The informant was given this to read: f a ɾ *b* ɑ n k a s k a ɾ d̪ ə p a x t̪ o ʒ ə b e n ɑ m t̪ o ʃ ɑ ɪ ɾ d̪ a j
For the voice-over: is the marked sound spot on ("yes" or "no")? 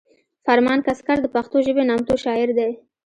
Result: no